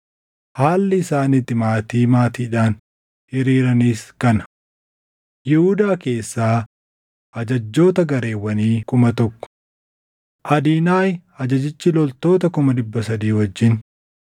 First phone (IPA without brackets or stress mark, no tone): h